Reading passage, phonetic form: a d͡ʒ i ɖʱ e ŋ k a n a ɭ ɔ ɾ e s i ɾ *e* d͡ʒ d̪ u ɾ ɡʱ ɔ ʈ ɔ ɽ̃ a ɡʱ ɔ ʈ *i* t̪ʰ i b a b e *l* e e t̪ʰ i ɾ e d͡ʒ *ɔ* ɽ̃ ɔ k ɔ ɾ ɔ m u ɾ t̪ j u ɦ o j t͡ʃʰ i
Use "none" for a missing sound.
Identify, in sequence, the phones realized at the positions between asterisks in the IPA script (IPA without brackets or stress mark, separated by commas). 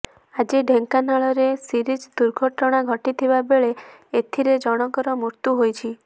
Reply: i, i, ɭ, ɔ